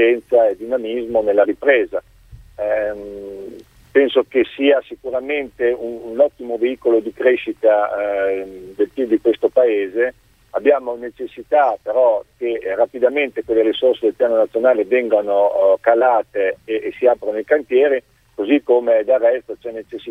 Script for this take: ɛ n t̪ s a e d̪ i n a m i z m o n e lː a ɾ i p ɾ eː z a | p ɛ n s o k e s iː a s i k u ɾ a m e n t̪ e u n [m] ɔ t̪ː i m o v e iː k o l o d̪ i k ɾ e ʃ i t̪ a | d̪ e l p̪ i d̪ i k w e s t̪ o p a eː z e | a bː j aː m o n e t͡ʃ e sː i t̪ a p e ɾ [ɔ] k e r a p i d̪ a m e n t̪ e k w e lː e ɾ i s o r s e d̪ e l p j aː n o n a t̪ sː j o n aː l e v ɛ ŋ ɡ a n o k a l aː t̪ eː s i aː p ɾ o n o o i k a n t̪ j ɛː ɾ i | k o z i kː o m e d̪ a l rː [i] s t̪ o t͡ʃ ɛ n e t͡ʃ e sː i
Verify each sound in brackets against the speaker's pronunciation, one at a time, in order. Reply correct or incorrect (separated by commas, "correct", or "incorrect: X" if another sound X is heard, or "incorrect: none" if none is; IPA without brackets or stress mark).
incorrect: n, correct, incorrect: ɛ